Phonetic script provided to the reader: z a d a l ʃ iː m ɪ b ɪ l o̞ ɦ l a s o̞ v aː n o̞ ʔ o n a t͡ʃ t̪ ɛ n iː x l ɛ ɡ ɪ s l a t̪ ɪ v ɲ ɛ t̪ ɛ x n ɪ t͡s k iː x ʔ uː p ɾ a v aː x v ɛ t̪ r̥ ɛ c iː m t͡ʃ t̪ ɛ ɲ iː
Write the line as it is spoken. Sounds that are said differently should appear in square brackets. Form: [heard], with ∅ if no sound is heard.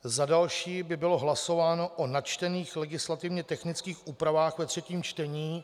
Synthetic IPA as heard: z a d a l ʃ iː [b] ɪ b ɪ l o̞ ɦ l a s o̞ v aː n o̞ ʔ o n a t͡ʃ t̪ ɛ n iː x l ɛ ɡ ɪ s l a t̪ ɪ v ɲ ɛ t̪ ɛ x n ɪ t͡s k iː x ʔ uː p ɾ a v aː x v ɛ t̪ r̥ ɛ c iː m t͡ʃ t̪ ɛ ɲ iː